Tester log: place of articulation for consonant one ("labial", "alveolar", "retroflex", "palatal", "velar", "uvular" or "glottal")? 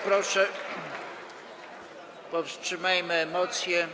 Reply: labial